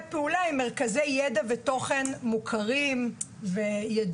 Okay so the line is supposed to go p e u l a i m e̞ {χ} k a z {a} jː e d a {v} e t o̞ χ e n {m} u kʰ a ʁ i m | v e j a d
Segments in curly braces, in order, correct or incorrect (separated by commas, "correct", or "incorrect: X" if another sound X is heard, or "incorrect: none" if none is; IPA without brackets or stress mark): incorrect: ʁ, incorrect: e, correct, correct